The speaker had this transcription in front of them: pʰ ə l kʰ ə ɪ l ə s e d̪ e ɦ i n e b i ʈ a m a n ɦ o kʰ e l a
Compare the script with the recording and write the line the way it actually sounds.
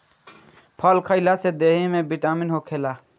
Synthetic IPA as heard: pʰ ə l kʰ ə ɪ l a s e d̪ e ɦ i m e b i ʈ a m i n ɦ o kʰ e l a